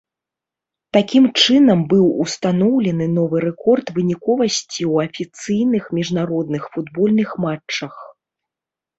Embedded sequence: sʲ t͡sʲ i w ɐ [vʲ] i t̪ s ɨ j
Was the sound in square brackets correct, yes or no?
no